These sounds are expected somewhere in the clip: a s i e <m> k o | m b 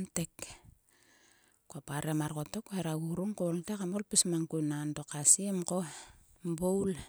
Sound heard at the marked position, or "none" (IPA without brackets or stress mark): m